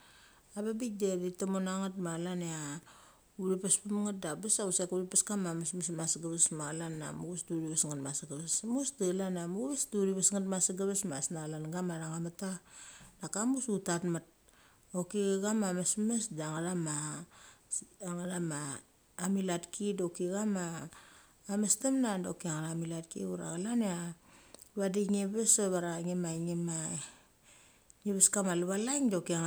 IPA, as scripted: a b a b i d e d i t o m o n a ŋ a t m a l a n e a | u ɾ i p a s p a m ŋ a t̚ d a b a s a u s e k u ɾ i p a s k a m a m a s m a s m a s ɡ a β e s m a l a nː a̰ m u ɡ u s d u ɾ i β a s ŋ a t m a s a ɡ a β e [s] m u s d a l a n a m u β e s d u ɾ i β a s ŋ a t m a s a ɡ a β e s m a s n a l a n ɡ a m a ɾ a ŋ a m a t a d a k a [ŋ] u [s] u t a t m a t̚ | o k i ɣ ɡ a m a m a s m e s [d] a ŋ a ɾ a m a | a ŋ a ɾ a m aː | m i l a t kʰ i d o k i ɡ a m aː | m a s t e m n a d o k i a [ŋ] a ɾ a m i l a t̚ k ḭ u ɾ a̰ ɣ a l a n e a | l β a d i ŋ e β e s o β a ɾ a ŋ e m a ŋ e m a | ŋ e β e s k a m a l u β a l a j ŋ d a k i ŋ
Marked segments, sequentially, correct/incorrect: correct, incorrect: m, correct, correct, correct

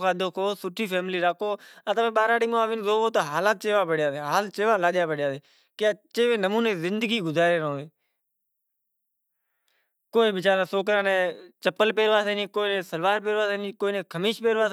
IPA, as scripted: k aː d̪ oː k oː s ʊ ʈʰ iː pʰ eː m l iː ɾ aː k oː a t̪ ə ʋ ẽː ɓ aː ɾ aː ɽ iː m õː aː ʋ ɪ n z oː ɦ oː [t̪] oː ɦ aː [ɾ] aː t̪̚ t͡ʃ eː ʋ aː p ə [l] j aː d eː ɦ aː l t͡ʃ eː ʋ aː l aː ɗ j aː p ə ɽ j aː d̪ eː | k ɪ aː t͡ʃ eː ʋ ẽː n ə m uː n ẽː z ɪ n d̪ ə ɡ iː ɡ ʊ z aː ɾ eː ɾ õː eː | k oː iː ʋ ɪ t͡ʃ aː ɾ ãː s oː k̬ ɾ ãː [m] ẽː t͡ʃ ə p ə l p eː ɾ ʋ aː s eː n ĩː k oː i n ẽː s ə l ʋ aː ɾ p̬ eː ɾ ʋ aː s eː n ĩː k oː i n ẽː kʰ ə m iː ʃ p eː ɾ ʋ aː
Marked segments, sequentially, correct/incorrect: correct, incorrect: l, incorrect: ɽ, incorrect: n

